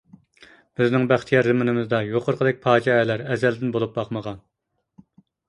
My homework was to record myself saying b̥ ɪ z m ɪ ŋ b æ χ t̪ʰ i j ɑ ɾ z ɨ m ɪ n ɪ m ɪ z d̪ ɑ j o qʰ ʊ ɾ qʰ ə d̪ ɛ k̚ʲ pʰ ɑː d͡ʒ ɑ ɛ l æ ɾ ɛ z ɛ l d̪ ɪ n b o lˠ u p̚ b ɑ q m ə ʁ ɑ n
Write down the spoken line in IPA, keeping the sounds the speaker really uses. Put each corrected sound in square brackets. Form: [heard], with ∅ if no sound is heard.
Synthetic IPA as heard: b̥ ɪ z [n] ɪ ŋ b æ χ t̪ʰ i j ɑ ɾ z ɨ m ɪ n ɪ m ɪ z d̪ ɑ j o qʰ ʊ ɾ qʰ ə d̪ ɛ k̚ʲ pʰ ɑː d͡ʒ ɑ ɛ l æ ɾ ɛ z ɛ l d̪ ɪ n b o lˠ u p̚ b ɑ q m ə ʁ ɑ n